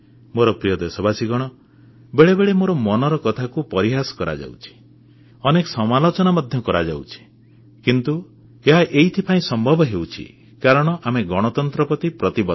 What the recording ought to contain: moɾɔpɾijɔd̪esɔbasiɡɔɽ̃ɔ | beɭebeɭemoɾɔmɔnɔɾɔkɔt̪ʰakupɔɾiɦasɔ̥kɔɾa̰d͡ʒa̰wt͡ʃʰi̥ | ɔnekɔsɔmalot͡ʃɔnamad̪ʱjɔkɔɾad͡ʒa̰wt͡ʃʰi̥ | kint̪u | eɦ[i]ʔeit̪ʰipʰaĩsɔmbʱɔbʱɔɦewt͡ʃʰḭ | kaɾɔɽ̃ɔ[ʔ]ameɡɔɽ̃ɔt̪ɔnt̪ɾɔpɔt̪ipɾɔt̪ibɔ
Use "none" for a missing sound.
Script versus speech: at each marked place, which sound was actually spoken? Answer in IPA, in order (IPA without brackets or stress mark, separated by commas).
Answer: a, ʔ